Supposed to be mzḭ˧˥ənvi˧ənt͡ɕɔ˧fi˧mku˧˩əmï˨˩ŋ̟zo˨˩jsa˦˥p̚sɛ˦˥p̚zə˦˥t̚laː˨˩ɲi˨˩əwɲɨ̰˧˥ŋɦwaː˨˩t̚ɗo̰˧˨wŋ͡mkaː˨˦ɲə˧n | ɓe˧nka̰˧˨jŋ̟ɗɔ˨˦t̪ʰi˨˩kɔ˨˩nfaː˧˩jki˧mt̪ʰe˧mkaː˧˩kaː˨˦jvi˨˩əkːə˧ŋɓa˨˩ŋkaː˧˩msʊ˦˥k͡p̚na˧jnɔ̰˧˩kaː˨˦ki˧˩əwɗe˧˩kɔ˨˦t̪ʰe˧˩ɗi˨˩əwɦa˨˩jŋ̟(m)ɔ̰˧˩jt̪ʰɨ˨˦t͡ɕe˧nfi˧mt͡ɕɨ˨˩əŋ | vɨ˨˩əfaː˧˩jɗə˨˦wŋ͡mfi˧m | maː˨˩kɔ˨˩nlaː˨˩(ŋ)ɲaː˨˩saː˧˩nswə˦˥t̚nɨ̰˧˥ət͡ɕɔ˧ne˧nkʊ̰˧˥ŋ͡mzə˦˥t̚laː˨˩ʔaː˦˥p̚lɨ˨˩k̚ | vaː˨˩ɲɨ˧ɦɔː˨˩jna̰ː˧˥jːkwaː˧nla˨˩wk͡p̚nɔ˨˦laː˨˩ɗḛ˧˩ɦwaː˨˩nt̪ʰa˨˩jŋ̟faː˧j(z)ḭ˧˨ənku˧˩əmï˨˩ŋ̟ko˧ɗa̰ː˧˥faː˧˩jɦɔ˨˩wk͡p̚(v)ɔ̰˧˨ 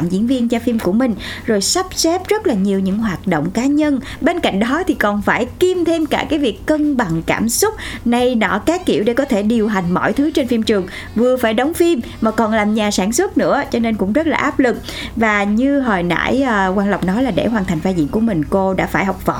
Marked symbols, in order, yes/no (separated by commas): yes, no, yes, yes